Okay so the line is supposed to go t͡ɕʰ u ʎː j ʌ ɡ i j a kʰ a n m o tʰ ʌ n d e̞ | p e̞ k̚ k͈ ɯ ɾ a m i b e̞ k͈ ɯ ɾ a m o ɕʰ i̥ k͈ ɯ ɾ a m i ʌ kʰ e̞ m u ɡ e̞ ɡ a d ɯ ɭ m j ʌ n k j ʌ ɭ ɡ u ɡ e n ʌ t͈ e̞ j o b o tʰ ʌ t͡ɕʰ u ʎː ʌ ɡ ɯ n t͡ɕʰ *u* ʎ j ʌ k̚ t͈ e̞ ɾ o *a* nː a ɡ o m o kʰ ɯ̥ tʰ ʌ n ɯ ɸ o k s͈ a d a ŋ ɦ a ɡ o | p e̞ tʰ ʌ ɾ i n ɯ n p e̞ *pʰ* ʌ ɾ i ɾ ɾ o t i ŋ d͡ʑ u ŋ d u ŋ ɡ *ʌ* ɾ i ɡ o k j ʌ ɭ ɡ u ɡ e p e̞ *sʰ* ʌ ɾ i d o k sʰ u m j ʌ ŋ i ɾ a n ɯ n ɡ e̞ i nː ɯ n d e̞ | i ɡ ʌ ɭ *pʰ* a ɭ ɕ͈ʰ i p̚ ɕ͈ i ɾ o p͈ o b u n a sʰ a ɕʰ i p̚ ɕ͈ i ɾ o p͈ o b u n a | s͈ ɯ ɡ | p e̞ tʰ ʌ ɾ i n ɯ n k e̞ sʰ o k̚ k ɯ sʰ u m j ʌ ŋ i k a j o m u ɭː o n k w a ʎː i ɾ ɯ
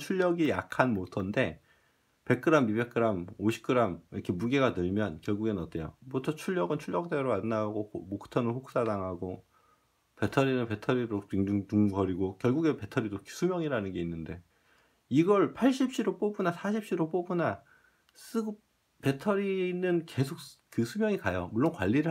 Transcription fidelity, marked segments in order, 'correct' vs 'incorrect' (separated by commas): correct, correct, incorrect, correct, incorrect, correct